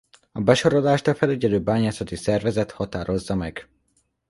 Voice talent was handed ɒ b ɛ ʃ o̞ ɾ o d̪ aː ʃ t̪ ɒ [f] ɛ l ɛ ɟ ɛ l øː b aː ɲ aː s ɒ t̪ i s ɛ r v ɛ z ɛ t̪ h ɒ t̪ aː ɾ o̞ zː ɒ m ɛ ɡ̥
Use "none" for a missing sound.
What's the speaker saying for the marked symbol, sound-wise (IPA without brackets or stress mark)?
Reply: f